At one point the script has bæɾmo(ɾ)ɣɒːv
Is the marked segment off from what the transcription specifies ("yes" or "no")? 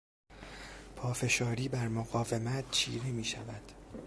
yes